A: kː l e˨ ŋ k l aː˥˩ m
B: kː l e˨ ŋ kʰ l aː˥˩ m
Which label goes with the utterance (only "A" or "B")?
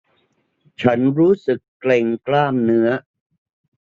A